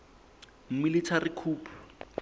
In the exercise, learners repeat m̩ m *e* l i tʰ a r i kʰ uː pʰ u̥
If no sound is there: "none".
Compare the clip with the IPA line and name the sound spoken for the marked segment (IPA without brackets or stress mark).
i